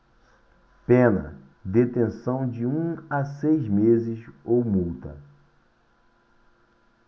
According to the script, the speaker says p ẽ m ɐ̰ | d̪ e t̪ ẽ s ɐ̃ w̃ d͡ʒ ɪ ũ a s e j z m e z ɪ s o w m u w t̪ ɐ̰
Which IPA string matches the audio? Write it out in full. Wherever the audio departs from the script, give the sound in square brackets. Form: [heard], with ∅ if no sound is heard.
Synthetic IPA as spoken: p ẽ [n] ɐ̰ | d̪ e t̪ ẽ s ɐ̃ w̃ d͡ʒ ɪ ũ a s e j z m e z ɪ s o w m u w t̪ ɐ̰